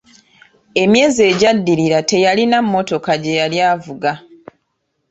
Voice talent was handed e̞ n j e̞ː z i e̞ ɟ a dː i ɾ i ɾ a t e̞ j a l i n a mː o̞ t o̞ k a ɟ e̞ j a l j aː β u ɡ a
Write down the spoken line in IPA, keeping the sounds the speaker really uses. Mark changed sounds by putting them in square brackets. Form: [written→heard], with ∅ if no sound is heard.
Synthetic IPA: e̞ [n→m] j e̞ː z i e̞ ɟ a dː i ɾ i ɾ a t e̞ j a l i n a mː o̞ t o̞ k a ɟ e̞ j a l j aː [β→v] u ɡ a